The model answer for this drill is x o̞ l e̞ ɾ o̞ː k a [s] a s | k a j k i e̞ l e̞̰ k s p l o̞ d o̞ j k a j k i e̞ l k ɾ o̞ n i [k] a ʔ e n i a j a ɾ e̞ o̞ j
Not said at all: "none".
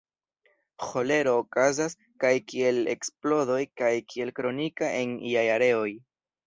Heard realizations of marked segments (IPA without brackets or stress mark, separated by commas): z, k